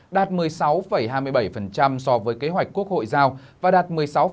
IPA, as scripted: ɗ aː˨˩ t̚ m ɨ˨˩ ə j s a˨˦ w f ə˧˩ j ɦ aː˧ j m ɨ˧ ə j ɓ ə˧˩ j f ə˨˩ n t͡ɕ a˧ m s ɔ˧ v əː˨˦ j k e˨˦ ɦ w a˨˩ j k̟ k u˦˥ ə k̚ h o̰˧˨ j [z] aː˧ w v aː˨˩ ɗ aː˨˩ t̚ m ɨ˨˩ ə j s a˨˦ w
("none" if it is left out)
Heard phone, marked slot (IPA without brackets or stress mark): z